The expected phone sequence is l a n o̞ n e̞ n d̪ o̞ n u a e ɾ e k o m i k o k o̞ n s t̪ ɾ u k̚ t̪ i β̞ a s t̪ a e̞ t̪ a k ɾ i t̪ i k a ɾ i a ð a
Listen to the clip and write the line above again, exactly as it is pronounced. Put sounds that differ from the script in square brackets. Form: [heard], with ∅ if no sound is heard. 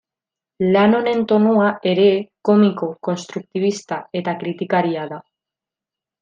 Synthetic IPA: l a n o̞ n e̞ n [t̪] o̞ n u a e ɾ e k o m i k o k o̞ n s t̪ ɾ u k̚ t̪ i β̞ [i] s t̪ a e̞ t̪ a k ɾ i t̪ i k a ɾ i a ð a